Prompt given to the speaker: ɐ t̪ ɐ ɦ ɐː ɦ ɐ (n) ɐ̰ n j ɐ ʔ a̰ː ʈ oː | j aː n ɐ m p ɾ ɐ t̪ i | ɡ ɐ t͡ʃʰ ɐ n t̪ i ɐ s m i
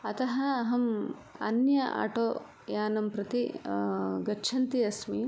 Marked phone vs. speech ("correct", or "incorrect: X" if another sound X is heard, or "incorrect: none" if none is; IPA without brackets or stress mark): incorrect: m